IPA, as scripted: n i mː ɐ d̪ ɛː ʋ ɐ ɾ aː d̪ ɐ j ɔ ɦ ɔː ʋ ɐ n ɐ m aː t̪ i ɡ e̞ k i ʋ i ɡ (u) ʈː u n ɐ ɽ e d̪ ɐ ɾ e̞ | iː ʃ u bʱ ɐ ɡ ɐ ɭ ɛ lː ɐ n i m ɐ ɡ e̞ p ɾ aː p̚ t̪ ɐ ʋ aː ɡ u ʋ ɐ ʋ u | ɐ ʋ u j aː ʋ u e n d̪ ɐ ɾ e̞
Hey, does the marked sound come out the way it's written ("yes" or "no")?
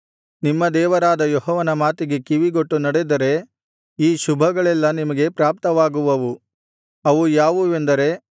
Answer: no